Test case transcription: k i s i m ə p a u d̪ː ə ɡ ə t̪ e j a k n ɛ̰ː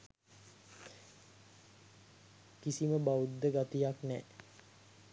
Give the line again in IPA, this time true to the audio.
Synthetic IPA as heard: k i s i m ə b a u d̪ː ə ɡ a t̪ i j a k n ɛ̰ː